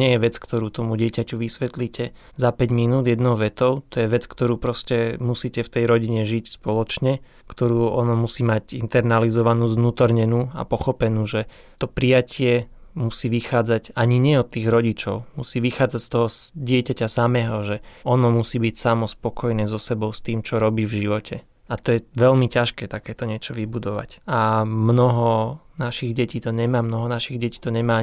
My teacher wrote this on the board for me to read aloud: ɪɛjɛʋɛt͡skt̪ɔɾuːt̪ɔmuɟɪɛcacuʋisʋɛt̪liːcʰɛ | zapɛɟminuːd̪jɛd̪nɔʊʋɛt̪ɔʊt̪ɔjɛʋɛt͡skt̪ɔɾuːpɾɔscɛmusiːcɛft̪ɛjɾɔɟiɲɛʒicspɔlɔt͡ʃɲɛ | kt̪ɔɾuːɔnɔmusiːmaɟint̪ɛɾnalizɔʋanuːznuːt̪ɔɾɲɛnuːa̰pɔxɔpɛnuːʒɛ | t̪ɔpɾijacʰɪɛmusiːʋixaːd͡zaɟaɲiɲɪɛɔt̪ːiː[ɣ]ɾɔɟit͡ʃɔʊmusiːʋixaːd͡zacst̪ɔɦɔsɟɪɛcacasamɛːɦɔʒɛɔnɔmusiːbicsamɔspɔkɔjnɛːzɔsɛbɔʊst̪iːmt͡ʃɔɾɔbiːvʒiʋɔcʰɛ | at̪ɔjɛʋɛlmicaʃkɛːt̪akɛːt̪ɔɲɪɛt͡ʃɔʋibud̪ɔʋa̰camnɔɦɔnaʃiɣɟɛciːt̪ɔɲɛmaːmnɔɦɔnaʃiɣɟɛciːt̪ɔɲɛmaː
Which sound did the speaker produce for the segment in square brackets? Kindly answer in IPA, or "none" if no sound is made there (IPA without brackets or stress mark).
ɣ